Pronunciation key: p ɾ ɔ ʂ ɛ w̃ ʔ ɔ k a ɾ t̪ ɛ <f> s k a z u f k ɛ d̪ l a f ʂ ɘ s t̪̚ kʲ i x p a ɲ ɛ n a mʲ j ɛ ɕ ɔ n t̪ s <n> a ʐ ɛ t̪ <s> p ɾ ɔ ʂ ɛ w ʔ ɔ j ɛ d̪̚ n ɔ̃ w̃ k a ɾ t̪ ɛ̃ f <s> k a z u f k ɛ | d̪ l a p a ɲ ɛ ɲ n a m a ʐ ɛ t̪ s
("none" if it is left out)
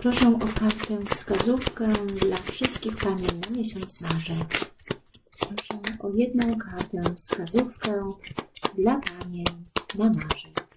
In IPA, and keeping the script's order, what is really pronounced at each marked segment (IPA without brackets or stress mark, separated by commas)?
f, m, s, s